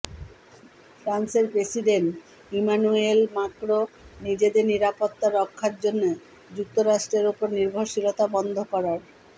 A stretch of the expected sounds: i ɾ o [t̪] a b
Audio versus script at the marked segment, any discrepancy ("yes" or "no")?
no